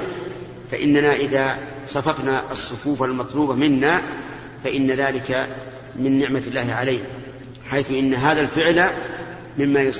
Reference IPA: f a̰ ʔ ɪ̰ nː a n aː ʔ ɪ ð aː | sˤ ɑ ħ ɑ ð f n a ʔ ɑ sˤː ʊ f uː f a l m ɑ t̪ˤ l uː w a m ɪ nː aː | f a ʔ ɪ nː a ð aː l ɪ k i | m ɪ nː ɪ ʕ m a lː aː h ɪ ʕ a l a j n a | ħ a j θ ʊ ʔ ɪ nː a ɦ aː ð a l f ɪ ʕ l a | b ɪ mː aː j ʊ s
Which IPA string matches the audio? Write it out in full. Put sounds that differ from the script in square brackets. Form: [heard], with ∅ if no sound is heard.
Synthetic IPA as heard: f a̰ ʔ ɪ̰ nː a n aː ʔ ɪ ð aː | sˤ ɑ [f] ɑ [∅] f n a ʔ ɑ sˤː ʊ f uː f a l m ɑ t̪ˤ l uː [b] a m ɪ nː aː | f a ʔ ɪ nː a ð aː l ɪ k [a] | m ɪ nː ɪ ʕ m a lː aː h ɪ ʕ a l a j n a | ħ a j θ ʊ ʔ ɪ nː a ɦ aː ð a l f ɪ ʕ l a | [m] ɪ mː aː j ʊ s